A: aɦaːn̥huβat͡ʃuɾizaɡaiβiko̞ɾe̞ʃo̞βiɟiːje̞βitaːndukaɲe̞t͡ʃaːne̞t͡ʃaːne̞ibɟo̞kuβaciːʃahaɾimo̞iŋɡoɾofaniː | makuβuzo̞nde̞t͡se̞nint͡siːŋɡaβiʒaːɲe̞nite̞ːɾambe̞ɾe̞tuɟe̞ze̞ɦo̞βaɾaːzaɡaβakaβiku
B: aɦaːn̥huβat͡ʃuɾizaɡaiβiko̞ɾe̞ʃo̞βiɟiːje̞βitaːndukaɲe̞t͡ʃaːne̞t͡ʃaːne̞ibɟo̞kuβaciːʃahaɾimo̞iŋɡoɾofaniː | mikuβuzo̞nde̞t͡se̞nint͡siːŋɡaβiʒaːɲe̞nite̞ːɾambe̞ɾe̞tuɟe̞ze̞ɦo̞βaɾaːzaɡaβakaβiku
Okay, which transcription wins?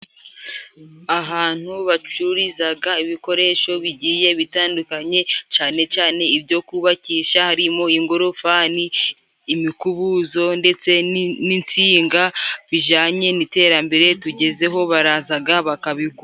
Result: B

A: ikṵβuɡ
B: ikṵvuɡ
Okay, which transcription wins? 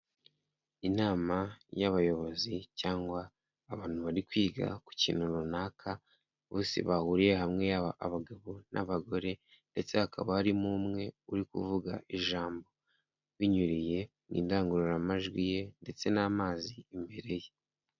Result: B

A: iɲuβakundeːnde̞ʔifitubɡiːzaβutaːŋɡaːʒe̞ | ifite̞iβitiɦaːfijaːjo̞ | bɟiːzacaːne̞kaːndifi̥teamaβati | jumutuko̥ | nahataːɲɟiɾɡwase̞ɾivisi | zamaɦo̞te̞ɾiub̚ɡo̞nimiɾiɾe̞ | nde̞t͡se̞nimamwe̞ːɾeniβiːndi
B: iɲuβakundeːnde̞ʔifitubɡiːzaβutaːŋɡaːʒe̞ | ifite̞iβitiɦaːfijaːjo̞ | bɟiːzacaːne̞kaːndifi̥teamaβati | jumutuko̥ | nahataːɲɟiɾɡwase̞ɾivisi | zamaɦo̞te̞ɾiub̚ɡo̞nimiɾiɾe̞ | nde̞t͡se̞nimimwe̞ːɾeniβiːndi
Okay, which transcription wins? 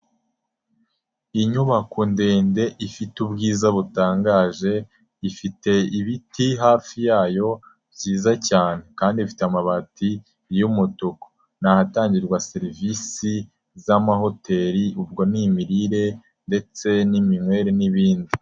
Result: B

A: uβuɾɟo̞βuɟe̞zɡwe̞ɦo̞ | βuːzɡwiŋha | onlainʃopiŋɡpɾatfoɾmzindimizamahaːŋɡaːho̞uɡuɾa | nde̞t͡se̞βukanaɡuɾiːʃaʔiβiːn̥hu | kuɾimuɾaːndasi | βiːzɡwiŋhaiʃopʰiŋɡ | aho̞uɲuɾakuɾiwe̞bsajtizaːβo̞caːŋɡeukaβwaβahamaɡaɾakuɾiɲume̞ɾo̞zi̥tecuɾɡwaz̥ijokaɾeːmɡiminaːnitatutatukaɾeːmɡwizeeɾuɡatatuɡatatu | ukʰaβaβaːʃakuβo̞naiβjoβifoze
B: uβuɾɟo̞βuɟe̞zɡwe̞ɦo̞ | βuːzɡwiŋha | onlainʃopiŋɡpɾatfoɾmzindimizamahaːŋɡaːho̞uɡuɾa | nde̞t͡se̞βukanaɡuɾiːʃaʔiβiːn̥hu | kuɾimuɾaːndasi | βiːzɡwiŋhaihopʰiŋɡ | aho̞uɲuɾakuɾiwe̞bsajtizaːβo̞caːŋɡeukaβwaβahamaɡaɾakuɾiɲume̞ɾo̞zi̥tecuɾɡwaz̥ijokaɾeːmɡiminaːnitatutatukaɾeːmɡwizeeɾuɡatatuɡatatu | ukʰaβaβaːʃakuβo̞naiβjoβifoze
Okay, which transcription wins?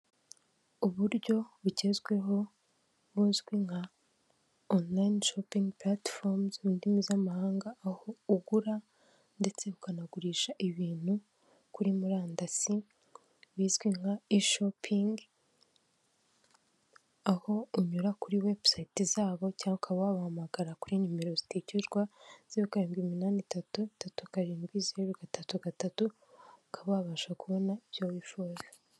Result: A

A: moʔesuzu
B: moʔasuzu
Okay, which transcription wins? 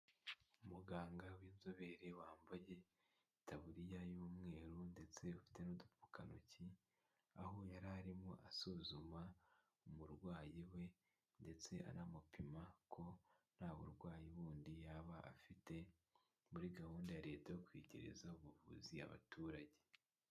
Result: B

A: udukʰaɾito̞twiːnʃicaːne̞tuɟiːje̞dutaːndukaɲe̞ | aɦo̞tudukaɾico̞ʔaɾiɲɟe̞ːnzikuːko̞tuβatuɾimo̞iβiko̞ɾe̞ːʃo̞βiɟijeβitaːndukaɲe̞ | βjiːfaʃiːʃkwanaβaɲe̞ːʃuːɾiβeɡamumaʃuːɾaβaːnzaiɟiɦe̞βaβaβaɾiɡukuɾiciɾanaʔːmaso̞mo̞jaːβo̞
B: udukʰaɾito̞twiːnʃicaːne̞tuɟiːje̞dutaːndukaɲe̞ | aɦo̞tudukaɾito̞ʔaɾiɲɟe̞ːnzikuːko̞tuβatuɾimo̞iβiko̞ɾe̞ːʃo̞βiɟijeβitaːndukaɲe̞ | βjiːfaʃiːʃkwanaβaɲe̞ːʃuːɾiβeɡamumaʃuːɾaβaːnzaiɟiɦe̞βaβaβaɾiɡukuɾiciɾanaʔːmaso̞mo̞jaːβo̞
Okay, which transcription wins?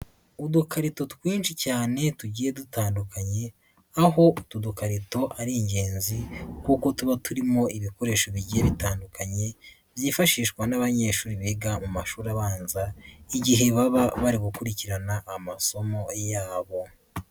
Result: B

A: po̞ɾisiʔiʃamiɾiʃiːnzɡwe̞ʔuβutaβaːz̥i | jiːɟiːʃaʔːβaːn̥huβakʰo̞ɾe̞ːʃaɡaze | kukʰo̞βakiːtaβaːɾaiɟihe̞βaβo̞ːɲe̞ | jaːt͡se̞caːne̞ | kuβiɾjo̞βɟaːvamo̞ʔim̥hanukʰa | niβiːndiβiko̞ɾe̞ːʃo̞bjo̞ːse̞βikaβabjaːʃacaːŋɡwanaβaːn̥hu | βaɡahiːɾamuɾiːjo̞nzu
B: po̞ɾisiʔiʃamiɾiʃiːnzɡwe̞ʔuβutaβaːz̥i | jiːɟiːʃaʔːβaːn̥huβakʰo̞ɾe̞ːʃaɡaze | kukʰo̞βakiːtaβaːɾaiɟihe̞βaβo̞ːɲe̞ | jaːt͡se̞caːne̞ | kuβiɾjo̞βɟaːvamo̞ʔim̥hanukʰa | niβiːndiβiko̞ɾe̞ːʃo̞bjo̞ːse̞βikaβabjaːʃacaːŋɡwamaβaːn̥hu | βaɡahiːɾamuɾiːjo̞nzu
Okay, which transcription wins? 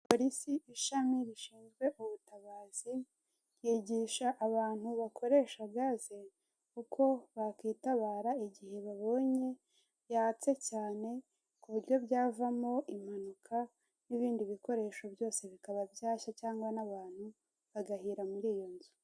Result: A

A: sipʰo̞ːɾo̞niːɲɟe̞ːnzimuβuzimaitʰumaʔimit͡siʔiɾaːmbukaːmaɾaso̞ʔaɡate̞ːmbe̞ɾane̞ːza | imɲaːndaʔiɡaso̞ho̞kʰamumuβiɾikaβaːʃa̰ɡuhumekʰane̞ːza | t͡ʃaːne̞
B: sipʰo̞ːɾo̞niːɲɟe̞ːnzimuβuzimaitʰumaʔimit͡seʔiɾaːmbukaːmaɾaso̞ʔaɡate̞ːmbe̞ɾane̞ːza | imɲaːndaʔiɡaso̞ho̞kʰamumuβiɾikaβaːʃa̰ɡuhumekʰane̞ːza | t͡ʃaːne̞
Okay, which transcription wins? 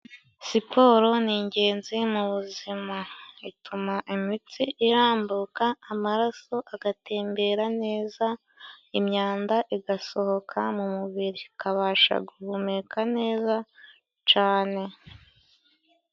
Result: A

